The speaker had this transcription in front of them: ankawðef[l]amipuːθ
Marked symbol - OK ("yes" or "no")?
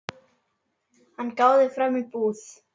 no